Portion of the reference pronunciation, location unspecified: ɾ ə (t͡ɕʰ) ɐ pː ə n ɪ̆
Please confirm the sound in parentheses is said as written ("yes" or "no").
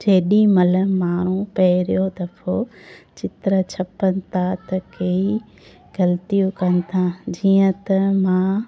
yes